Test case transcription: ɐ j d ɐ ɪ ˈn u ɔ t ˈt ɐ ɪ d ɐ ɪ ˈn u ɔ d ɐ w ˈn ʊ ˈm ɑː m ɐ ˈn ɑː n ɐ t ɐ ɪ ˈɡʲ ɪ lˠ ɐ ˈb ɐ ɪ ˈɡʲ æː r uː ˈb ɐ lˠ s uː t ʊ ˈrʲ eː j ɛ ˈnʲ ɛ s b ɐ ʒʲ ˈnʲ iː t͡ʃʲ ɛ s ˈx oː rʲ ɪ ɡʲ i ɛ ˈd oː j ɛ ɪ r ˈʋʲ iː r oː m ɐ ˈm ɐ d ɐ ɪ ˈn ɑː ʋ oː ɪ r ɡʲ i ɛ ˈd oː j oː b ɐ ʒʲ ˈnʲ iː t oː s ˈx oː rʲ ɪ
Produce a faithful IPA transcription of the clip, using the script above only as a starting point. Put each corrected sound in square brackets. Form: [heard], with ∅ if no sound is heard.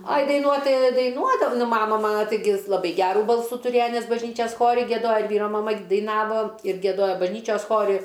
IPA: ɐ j d ɐ ɪ ˈn u ɔ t ˈt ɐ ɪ d ɐ ɪ ˈn u ɔ d ɐ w ˈn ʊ ˈm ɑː m ɐ [ˈm] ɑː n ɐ t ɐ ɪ ˈɡʲ ɪ lˠ ɐ ˈb ɐ ɪ ˈɡʲ æː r uː ˈb ɐ lˠ s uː t ʊ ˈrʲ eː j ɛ ˈnʲ ɛ s b ɐ ʒʲ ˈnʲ iː t͡ʃʲ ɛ s ˈx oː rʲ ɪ ɡʲ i ɛ ˈd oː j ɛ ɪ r ˈʋʲ iː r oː m ɐ ˈm ɐ d ɐ ɪ ˈn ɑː ʋ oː ɪ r ɡʲ i ɛ ˈd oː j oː b ɐ ʒʲ ˈnʲ iː [t͡ʃʲ] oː s ˈx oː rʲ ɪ